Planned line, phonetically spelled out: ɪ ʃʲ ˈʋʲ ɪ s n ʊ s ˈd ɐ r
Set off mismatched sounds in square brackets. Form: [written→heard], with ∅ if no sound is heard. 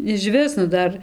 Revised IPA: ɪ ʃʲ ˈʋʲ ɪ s n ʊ [s→∅] ˈd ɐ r